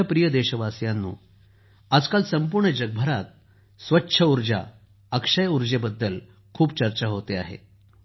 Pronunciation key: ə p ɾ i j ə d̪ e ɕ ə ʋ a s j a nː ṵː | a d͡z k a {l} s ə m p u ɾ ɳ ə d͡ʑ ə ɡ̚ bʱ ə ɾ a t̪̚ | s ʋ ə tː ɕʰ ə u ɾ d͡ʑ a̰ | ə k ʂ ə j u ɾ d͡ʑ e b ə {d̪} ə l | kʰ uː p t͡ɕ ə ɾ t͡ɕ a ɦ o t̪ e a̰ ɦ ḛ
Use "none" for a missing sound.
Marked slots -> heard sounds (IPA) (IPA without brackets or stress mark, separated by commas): l, d̪ː